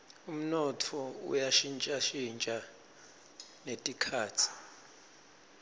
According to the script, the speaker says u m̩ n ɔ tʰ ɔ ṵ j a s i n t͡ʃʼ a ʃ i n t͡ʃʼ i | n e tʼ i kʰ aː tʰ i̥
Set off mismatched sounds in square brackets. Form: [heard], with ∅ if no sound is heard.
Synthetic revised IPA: u m̩ n ɔ tʰ ɔ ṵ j a [ʃ] i n t͡ʃʼ a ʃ i n t͡ʃʼ [a] | n e tʼ i kʰ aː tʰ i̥